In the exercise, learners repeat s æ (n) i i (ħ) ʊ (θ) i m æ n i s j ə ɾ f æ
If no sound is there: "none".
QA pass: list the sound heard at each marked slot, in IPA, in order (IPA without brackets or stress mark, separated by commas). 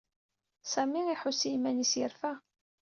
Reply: m, ħ, s